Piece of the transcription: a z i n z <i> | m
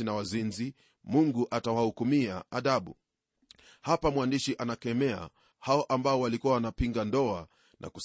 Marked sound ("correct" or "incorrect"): correct